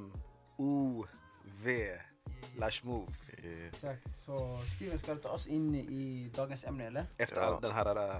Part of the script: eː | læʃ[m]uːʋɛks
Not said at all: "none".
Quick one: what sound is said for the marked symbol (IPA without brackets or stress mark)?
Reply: m